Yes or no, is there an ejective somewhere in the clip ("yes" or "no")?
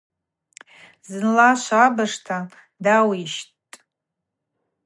yes